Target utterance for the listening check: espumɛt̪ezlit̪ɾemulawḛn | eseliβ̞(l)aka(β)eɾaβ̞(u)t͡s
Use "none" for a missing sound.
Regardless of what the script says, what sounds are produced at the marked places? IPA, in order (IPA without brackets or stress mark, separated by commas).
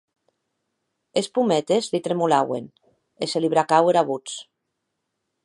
ɾ, w, u